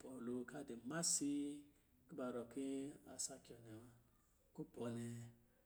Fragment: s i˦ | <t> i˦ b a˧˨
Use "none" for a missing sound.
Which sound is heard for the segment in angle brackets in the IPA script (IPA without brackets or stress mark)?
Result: k